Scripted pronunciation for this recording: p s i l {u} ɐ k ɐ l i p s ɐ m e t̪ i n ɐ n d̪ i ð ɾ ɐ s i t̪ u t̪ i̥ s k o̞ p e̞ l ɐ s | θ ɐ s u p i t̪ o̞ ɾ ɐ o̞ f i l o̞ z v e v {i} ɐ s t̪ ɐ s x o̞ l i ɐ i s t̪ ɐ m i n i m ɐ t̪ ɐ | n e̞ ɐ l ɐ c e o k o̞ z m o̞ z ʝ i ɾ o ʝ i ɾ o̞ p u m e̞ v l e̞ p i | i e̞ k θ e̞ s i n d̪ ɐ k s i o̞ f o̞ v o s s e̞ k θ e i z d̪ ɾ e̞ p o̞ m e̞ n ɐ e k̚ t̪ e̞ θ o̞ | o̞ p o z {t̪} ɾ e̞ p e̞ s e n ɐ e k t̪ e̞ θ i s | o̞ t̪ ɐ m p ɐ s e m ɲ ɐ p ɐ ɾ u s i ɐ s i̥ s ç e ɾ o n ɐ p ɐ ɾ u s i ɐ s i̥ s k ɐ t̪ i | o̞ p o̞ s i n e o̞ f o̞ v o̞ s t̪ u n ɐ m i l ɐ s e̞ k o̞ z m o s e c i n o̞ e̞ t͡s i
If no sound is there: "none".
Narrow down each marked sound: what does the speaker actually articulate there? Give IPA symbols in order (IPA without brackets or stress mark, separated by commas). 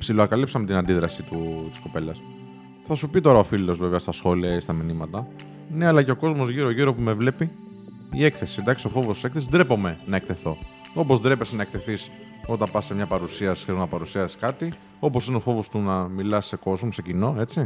o, e, d̪